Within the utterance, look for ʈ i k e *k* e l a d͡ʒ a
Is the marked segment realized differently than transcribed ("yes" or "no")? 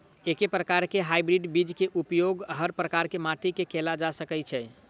no